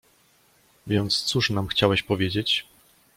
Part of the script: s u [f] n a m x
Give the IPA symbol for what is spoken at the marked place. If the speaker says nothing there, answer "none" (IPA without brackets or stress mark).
ʂ